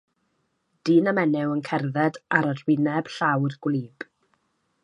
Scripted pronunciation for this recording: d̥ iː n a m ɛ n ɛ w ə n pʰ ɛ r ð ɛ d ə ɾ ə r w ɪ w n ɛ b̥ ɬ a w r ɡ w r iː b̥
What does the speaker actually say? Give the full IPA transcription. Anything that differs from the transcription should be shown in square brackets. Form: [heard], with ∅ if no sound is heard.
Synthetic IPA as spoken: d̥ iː n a m ɛ n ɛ w ə n [kʰ] ɛ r ð ɛ d [a] ɾ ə r w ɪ [∅] n ɛ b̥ ɬ a w r ɡ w [l] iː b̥